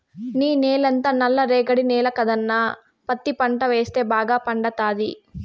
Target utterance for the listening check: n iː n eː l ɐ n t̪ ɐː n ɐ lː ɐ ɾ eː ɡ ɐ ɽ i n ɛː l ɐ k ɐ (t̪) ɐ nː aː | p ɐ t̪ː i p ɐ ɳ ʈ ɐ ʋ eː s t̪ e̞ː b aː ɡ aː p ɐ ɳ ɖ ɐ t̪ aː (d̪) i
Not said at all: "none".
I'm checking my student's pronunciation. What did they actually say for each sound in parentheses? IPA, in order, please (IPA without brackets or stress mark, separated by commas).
d̪, d̪